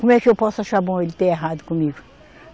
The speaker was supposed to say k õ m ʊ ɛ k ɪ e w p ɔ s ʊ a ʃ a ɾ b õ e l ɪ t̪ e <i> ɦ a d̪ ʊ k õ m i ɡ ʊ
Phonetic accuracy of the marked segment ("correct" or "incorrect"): incorrect